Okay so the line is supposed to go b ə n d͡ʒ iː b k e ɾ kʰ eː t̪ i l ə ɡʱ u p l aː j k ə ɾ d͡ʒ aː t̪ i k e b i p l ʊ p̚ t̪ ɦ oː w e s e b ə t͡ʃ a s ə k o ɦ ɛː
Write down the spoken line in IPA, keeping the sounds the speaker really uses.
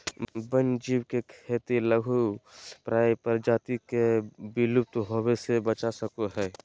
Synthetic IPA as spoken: b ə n d͡ʒ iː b k e kʰ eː t̪ i l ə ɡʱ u p ɾ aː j p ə ɾ d͡ʒ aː t̪ i k e b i l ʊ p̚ t̪ ɦ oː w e s e b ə t͡ʃ a s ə k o ɦ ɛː